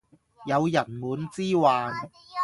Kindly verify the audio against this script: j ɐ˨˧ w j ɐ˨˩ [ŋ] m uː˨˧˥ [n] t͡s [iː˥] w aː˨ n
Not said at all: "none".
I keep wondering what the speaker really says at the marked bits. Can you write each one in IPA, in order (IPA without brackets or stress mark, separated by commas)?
n, n, iː˥